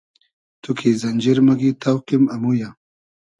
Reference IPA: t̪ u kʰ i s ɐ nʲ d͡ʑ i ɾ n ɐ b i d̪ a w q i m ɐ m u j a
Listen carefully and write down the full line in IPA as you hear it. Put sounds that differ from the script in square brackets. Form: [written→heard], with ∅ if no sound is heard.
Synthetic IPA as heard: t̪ u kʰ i [s→z] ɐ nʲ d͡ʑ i ɾ [n→m] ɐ [b→ɡ] i [d̪→t̪] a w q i m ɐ m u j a